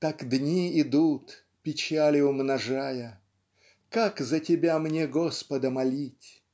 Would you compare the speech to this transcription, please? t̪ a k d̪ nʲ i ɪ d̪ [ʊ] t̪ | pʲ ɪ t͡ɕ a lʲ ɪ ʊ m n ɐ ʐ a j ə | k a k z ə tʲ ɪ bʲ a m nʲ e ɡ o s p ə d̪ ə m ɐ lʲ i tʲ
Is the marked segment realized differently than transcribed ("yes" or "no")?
yes